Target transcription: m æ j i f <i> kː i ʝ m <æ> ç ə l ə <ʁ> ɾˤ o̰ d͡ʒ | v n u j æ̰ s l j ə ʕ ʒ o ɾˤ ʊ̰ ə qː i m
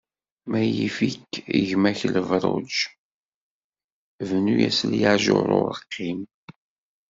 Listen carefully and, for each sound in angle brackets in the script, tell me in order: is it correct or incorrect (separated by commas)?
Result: correct, correct, incorrect